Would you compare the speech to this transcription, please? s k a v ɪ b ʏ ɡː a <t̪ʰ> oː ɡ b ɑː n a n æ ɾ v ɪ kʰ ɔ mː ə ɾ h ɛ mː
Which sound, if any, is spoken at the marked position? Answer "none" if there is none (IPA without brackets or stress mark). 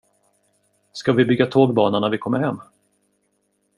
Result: t̪ʰ